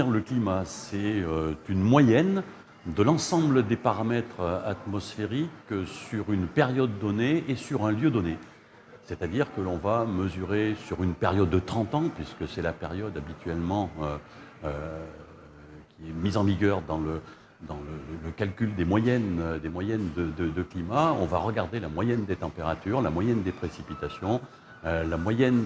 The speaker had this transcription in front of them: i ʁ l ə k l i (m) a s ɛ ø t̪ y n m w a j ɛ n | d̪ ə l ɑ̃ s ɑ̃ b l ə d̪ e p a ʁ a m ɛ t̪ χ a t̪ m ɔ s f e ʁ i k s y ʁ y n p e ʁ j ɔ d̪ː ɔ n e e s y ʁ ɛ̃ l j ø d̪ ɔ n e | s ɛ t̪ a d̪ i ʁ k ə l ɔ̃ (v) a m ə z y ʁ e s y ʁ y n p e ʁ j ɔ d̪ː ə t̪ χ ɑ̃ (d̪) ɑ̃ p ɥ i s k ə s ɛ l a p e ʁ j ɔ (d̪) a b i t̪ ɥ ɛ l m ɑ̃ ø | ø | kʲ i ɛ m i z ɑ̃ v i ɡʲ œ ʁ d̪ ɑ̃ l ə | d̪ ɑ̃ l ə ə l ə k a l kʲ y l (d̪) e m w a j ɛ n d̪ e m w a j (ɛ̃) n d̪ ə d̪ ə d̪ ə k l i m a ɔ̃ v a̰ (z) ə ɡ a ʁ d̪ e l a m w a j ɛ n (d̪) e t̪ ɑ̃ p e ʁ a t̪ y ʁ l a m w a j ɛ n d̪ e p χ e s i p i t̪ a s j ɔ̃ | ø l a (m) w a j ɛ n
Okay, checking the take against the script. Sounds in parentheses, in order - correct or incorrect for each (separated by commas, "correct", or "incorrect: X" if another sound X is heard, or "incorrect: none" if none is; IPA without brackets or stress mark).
correct, correct, incorrect: t̪, correct, correct, incorrect: ɛ, incorrect: ʁ, correct, correct